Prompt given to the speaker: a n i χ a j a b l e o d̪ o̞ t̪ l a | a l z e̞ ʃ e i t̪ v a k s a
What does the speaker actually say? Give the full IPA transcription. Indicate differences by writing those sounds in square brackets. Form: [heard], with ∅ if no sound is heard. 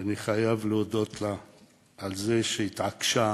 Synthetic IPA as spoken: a n i χ a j a [v] l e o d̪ o̞ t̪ l a | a l z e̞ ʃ e i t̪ [ʕ] a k [ʃ] a